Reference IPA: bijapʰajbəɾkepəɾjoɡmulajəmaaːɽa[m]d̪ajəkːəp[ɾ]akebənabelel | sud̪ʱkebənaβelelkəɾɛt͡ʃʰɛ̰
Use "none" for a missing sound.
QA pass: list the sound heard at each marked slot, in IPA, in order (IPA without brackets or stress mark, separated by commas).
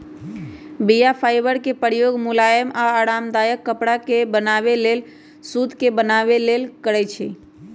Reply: m, ɽ